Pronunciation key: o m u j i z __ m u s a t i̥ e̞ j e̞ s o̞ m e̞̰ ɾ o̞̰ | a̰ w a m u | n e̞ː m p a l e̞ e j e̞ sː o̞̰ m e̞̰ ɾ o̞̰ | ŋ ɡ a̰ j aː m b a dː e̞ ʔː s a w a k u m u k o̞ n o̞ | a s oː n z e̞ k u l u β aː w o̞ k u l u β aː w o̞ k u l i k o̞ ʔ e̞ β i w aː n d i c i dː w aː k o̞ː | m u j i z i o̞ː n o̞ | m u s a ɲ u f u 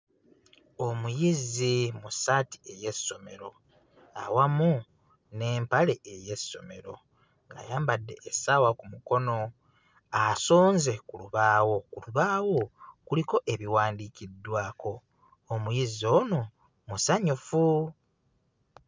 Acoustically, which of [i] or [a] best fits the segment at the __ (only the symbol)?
i